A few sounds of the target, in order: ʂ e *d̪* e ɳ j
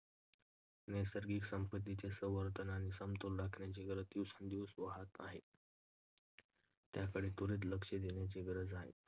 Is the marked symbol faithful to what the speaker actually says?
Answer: yes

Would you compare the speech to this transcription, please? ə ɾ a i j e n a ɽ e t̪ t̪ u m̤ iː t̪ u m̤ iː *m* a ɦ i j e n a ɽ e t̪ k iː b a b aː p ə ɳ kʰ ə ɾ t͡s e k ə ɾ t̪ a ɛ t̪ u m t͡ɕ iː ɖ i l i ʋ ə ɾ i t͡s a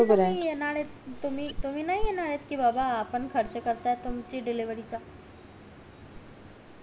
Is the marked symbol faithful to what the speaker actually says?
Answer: no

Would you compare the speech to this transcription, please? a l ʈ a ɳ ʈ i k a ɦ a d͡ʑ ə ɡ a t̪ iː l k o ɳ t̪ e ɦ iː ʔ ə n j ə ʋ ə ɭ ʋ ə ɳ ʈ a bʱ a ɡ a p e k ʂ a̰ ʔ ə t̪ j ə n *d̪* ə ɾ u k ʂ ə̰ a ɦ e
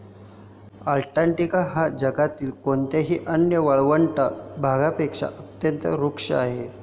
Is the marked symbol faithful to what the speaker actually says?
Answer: no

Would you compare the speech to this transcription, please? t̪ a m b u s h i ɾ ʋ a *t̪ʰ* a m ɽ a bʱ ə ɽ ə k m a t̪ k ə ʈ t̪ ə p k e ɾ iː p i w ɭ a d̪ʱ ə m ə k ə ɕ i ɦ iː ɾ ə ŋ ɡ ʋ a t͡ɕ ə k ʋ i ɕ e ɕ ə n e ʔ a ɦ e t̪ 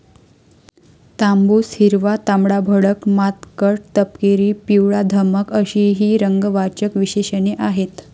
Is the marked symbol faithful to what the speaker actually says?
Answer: no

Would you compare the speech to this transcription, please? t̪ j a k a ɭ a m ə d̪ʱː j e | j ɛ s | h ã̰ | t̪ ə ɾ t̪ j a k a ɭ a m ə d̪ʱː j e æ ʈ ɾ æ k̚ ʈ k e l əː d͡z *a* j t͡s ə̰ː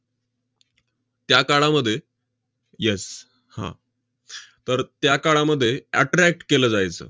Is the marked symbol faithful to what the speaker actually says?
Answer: yes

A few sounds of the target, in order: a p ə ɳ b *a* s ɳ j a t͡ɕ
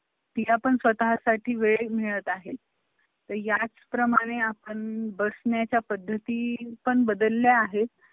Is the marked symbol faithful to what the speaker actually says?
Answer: no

